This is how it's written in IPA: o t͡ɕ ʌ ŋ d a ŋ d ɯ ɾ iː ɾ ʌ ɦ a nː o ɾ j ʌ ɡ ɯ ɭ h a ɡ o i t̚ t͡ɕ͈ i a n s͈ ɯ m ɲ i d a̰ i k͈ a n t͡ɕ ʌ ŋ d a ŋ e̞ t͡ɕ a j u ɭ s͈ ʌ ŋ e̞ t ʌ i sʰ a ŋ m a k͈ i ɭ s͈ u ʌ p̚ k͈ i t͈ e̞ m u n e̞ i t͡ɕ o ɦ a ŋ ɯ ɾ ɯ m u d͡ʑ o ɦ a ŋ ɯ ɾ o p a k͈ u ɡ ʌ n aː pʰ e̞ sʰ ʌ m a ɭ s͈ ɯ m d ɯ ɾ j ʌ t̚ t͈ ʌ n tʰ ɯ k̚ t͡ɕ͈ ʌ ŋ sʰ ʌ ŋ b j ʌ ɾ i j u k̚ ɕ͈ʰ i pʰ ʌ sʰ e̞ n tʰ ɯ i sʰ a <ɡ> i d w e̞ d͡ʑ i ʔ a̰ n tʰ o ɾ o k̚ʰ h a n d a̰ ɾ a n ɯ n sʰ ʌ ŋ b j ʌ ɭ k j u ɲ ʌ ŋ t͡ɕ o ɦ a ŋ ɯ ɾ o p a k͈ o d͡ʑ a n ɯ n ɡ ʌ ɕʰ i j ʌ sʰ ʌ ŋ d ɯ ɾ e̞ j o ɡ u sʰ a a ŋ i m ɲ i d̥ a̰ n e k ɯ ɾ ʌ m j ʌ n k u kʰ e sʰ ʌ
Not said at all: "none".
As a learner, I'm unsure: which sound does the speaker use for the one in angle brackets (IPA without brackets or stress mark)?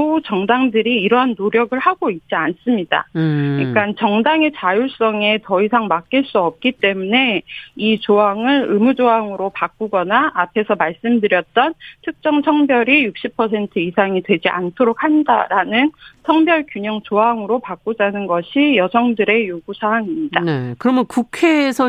ŋ